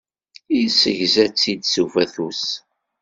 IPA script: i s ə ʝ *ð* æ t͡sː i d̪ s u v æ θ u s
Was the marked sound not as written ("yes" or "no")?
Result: yes